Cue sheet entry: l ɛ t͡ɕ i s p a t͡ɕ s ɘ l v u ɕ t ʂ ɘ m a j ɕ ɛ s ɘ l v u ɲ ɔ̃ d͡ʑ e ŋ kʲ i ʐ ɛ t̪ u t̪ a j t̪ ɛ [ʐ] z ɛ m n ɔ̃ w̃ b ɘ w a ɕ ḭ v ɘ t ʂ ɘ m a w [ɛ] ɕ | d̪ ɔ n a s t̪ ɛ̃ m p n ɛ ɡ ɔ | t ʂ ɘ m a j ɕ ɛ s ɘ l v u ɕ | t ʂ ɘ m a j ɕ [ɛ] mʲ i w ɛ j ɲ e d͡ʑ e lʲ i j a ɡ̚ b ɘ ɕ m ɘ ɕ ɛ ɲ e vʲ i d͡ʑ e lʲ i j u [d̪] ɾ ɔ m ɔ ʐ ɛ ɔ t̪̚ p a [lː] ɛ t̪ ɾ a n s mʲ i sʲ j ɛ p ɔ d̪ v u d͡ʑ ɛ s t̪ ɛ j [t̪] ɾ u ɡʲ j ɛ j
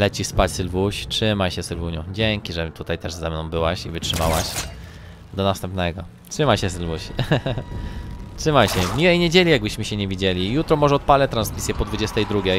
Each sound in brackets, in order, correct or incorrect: correct, incorrect: a, correct, incorrect: t̪, incorrect: l, incorrect: d̪

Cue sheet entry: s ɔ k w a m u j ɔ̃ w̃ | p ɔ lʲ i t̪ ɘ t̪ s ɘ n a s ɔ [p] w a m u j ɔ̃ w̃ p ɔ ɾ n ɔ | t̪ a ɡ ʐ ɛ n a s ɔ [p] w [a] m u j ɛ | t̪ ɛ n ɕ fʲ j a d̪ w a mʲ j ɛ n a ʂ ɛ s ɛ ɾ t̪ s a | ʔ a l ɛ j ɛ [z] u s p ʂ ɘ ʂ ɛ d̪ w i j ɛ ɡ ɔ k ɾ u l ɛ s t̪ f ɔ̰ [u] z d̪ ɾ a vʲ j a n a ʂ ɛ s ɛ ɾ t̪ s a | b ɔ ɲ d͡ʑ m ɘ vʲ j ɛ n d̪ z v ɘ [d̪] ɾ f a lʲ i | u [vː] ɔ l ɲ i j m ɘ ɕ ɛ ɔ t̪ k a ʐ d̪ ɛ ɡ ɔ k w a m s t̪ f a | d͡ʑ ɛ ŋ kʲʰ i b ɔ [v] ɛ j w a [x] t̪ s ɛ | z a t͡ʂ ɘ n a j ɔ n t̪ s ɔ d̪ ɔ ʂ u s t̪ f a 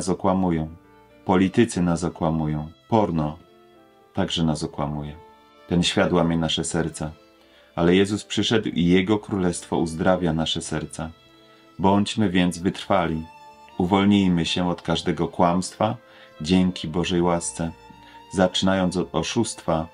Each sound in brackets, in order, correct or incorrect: incorrect: k, incorrect: k, correct, correct, correct, incorrect: t̪, incorrect: v, incorrect: ʐ, incorrect: s

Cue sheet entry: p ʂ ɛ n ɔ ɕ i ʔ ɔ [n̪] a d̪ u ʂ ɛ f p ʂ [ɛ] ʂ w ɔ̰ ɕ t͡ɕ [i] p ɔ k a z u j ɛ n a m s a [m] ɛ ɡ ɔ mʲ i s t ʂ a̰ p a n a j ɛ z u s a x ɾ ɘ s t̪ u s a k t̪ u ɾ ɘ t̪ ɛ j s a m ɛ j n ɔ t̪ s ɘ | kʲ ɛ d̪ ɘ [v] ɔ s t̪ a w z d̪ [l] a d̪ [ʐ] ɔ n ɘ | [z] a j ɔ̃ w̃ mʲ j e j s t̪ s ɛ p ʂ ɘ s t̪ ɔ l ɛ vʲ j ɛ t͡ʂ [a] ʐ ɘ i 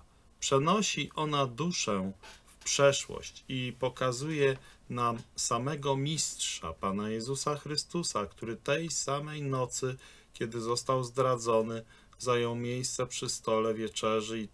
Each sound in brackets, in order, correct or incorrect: correct, correct, correct, correct, incorrect: z, incorrect: ɾ, incorrect: z, correct, incorrect: ɛ

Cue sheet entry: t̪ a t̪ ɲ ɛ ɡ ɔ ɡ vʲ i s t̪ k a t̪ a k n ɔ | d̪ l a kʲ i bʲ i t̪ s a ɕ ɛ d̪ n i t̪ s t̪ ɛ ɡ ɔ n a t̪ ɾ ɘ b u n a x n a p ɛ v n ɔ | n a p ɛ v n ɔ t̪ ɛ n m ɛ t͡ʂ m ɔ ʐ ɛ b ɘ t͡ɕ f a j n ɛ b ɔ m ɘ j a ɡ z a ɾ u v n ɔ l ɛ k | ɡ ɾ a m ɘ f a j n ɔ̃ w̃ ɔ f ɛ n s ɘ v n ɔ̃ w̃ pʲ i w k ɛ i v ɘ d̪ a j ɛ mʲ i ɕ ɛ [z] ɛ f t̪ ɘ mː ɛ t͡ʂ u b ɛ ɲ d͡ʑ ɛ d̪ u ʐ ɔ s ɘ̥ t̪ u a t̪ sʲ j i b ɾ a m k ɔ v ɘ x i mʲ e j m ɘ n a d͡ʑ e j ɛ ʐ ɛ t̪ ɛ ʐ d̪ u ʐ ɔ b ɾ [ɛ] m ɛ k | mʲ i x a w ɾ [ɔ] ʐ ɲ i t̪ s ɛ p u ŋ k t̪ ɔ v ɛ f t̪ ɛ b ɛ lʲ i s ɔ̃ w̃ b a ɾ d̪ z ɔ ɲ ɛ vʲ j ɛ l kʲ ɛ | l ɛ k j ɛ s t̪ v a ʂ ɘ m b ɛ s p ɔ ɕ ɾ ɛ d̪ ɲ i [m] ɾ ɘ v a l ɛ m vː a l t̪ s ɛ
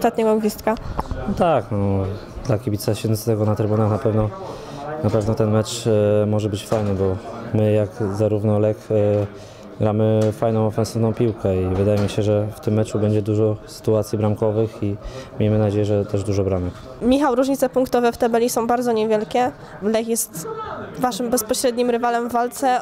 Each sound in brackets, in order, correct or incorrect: incorrect: ʐ, incorrect: a, incorrect: u, correct

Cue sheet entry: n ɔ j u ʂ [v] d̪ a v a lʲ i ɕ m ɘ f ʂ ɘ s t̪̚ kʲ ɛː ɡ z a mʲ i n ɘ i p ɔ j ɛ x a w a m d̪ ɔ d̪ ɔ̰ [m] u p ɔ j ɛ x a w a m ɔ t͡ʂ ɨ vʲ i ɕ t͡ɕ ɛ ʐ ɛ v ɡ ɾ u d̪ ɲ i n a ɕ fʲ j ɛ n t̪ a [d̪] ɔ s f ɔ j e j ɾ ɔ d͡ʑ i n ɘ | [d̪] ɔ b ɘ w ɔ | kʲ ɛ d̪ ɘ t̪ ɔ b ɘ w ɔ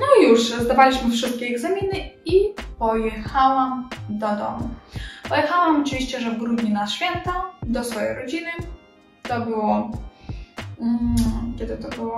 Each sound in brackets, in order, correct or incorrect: incorrect: z, correct, correct, incorrect: t̪

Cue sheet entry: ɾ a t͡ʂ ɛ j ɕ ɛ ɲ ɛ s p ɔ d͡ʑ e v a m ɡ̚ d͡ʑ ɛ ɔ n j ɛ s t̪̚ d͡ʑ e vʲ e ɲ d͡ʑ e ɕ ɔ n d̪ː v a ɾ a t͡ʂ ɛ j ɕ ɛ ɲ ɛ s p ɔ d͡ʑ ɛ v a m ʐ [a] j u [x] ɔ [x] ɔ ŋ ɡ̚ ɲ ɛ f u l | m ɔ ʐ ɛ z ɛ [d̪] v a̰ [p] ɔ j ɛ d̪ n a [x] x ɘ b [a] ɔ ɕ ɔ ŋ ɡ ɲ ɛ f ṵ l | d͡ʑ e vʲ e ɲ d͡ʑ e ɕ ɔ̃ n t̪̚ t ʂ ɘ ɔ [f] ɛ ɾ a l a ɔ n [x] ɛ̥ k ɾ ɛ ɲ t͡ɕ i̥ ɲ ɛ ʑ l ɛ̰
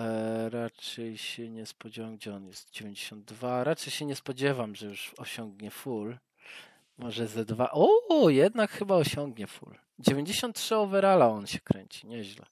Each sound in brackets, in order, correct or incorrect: incorrect: ɛ, incorrect: ʂ, incorrect: ɕ, correct, incorrect: ʔ, incorrect: k, correct, incorrect: v, incorrect: ɕ

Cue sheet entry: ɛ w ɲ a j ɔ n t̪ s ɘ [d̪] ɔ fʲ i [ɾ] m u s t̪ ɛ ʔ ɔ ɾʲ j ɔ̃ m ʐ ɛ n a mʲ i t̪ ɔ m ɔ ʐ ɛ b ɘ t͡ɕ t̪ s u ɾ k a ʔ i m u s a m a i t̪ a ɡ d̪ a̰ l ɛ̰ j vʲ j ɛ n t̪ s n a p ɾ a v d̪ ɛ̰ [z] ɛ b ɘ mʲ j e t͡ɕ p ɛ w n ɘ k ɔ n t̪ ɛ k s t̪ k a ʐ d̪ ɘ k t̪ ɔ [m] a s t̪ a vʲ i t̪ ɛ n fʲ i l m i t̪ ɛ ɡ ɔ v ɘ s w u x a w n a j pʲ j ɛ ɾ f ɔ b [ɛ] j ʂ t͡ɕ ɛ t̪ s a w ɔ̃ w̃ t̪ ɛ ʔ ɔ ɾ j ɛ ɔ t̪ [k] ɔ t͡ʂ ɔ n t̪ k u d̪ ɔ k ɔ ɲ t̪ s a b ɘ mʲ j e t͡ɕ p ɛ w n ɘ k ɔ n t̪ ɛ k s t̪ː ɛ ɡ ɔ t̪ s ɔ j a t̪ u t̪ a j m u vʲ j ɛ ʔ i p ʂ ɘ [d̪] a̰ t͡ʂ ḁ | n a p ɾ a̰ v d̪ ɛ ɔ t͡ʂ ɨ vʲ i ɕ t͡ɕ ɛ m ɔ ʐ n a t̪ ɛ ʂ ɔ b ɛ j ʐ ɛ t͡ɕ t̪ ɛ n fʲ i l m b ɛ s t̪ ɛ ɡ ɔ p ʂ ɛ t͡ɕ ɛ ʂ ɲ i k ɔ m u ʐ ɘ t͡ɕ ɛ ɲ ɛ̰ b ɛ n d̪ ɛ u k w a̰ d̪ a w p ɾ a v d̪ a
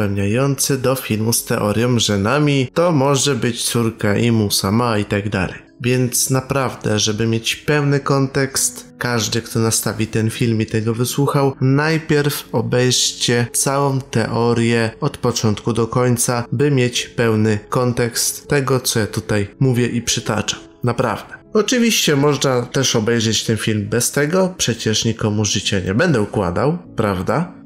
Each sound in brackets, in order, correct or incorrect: correct, incorrect: l, incorrect: ʐ, incorrect: n, correct, incorrect: p, incorrect: t̪

